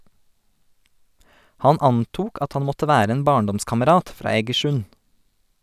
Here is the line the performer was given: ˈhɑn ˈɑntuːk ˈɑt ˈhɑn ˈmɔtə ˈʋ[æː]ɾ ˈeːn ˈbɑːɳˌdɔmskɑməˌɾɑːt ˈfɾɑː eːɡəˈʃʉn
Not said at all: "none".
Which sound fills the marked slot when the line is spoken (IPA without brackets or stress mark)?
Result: æː